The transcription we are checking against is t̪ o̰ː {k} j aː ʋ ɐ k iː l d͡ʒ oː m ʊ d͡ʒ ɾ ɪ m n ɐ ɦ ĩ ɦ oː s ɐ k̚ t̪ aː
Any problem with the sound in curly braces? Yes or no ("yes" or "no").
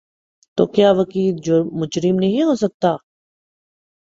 no